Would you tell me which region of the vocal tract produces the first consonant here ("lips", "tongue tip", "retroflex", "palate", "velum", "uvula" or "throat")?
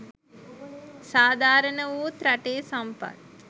tongue tip